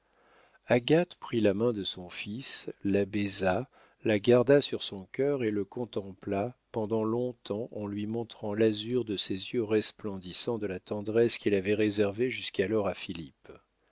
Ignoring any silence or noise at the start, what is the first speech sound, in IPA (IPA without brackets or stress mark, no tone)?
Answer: a